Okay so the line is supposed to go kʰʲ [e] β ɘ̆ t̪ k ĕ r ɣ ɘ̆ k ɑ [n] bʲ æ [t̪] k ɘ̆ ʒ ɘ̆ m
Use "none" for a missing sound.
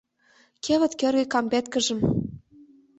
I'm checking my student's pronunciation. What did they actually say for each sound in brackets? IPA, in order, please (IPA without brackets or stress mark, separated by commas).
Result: e, m, t̪